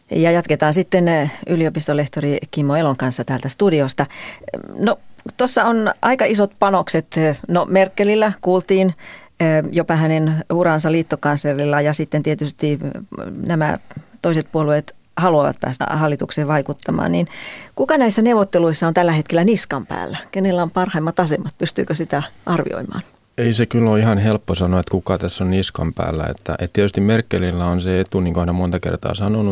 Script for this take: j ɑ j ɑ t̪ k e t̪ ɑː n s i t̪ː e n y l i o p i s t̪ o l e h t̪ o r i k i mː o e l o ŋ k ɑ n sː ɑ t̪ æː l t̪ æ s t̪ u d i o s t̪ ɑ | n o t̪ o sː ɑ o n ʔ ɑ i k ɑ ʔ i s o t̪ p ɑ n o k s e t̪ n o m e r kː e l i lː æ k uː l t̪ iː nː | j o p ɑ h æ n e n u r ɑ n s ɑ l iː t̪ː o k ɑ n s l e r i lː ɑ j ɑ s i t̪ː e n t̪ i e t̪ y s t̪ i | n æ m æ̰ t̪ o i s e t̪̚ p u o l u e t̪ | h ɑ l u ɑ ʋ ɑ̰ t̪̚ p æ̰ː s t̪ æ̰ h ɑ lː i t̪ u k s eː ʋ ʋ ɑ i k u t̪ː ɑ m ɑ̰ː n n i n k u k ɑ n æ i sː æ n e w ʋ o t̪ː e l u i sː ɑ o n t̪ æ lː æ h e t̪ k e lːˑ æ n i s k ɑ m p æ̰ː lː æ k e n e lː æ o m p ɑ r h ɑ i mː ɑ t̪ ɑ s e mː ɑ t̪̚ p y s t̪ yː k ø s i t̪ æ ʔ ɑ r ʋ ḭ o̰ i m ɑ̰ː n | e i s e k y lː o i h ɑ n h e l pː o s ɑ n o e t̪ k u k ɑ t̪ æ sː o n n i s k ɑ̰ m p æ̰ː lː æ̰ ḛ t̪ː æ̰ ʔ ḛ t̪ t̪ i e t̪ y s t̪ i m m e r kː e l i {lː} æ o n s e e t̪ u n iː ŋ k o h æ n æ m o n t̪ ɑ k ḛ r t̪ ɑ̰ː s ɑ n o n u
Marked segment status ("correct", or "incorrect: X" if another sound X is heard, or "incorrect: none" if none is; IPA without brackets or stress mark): correct